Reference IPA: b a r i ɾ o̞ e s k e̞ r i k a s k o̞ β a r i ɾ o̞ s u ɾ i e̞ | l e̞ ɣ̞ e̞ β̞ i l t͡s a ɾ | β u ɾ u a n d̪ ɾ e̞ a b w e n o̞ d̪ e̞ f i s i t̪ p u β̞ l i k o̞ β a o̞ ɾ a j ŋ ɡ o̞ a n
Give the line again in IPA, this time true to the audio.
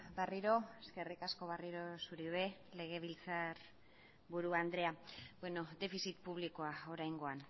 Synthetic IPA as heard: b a r i ɾ o̞ e s k e̞ r i k a s k o̞ β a r i ɾ o̞ s u ɾ i e̞ | l e̞ ɣ̞ e̞ β̞ i l t͡s a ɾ | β u ɾ u a n d̪ ɾ e̞ a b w e n o̞ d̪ e̞ f i s i t̪ p u β̞ l i k o̞ a o̞ ɾ a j ŋ ɡ o̞ a n